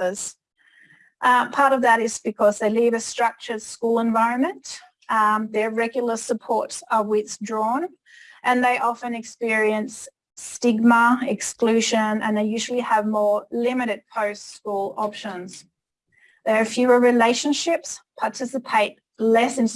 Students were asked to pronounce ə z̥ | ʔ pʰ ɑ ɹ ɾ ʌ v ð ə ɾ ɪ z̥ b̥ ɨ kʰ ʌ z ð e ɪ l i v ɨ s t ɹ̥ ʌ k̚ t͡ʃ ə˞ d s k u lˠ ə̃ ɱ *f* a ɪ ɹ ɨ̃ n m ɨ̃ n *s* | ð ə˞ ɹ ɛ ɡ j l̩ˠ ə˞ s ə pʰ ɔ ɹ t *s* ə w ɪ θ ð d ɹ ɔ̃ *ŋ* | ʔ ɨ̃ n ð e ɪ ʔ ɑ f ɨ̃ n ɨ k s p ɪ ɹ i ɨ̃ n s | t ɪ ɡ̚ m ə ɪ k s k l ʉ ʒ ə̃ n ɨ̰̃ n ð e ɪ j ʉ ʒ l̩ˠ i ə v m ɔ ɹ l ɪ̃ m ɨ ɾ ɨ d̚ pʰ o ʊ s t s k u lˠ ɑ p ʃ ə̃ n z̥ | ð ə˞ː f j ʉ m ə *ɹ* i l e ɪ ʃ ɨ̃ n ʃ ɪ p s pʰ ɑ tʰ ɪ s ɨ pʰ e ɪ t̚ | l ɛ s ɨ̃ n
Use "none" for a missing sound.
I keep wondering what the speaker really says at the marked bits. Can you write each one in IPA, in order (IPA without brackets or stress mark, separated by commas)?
v, t, s, n, ɹ